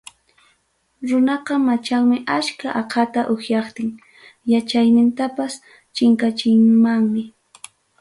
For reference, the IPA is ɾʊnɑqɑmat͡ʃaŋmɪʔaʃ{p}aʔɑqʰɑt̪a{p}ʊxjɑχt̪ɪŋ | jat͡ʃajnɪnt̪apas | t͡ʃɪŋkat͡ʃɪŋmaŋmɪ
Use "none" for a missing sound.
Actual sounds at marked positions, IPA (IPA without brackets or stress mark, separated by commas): k, ʔ